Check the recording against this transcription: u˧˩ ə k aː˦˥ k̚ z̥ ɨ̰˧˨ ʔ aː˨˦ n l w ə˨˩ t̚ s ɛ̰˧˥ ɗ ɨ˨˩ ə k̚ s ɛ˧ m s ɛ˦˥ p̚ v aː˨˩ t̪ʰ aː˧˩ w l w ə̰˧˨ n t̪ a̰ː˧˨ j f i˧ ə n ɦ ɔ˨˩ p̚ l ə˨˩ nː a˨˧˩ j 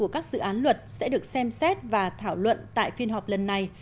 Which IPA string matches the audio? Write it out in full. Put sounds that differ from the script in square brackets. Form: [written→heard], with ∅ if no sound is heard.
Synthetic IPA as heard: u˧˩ ə k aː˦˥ k̚ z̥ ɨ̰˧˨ ʔ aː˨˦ n l w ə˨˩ t̚ s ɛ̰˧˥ ɗ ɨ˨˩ ə k̚ s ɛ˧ m s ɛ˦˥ [p̚→t̚] v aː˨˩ t̪ʰ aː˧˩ w l w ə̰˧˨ n t̪ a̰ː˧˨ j f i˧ ə n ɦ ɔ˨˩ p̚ l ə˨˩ nː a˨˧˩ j